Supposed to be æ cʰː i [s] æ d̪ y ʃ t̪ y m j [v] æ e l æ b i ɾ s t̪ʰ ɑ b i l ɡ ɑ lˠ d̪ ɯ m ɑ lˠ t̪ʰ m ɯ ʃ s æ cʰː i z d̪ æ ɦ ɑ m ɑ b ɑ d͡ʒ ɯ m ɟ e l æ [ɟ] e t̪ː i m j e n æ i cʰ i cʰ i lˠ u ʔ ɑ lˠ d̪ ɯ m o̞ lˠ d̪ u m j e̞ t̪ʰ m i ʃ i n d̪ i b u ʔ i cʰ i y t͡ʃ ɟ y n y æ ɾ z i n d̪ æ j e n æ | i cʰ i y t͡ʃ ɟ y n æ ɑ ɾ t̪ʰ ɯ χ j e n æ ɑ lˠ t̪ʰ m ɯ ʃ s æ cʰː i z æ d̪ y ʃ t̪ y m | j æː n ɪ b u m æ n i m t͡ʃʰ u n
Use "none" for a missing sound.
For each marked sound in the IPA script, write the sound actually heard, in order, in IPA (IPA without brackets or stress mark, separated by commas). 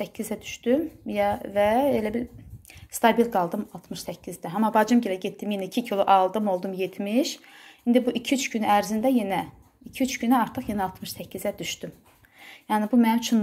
z, v, ɟ